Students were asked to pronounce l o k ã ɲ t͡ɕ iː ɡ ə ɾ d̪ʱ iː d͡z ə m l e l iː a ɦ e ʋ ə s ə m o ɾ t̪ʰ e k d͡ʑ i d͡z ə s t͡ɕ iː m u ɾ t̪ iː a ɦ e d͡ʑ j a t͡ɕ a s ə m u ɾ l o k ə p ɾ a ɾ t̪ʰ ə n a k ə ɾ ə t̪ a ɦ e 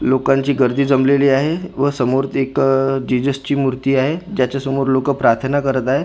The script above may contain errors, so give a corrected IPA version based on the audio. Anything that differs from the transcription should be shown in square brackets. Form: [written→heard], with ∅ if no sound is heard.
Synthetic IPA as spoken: l o k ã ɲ t͡ɕ iː ɡ ə ɾ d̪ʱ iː d͡z ə m l e l iː a ɦ e ʋ ə s ə m o ɾ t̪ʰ e k d͡ʑ i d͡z ə s t͡ɕ iː m u ɾ t̪ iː a ɦ e d͡ʑ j a t͡ɕ a s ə m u ɾ l o k ə p ɾ a ɾ t̪ʰ ə n a k ə ɾ ə t̪ a ɦ e